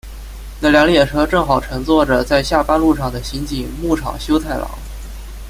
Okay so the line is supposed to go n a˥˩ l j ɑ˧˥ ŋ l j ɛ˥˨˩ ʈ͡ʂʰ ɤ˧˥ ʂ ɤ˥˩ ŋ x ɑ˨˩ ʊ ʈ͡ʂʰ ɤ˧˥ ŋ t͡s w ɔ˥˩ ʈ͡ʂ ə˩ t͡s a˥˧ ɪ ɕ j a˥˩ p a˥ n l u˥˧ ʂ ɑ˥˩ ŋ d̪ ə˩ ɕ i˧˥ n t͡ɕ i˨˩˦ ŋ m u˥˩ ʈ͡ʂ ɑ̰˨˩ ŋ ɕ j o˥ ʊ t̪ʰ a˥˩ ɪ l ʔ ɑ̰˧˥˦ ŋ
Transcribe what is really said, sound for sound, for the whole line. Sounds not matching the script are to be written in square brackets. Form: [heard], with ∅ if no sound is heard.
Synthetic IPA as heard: n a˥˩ l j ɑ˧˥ ŋ l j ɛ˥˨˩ ʈ͡ʂʰ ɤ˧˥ [ʈ͡ʂ] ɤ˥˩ ŋ x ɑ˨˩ ʊ ʈ͡ʂʰ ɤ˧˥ ŋ t͡s w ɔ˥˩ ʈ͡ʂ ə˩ t͡s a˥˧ ɪ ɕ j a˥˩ p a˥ n l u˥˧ ʂ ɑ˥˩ ŋ d̪ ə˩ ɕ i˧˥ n t͡ɕ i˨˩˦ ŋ m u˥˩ [ʈ͡ʂʰ] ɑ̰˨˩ ŋ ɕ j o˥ ʊ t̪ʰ a˥˩ ɪ l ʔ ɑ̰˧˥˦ ŋ